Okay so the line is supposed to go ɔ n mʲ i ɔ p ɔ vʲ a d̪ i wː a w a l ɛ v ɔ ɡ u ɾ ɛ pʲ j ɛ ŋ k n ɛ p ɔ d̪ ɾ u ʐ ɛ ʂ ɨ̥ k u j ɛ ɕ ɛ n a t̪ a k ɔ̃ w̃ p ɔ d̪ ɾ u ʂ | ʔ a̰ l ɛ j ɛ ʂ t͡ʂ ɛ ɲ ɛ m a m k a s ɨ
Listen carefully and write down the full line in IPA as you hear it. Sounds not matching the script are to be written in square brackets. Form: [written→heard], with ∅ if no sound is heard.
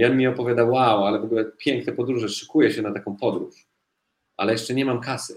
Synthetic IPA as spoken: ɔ n mʲ i ɔ p ɔ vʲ a d̪ [i→a] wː a w a l ɛ v ɔ ɡ u [ɾ→l] ɛ pʲ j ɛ ŋ k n ɛ p ɔ d̪ ɾ u ʐ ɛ ʂ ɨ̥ k u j ɛ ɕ ɛ n a t̪ a k ɔ̃ w̃ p ɔ d̪ ɾ u ʂ | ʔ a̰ l ɛ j ɛ ʂ t͡ʂ ɛ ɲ ɛ m a m k a s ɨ